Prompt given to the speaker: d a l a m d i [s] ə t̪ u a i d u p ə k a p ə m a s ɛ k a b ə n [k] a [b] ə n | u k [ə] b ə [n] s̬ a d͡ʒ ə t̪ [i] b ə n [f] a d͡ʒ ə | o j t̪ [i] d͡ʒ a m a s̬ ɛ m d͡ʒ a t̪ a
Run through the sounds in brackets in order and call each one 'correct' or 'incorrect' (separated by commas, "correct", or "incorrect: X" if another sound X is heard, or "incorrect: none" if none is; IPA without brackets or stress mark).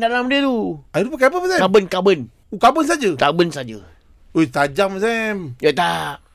incorrect: none, correct, correct, incorrect: a, correct, incorrect: a, incorrect: s, incorrect: a